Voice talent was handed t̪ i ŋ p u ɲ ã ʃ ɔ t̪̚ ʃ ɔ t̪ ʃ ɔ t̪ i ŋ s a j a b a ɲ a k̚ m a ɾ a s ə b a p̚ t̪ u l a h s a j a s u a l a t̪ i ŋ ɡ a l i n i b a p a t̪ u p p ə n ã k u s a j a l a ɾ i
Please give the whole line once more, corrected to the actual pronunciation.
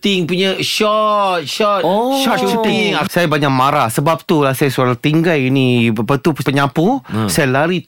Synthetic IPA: t̪ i ŋ p u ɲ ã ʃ ɔ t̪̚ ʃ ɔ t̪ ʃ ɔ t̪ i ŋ s a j a b a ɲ a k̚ m a ɾ a s ə b a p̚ t̪ u l a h s a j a s u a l a t̪ i ŋ ɡ a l i n i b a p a t̪ u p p ə ɲ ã p u s a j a l a ɾ i